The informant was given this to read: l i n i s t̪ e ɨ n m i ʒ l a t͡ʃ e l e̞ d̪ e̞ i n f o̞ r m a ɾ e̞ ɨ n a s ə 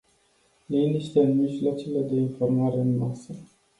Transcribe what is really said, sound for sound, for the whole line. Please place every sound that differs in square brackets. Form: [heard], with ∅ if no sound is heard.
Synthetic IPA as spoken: l i n i [ʃ] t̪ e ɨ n m i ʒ l a t͡ʃ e l e̞ d̪ e̞ i n f o̞ r m a ɾ e̞ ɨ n a s ə